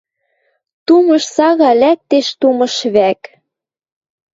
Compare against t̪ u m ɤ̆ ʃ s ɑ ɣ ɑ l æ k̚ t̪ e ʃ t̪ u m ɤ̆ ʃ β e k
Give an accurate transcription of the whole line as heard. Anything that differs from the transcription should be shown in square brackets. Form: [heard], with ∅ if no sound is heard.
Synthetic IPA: t̪ u m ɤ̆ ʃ s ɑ ɣ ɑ l æ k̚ t̪ e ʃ t̪ u m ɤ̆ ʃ β [æ] k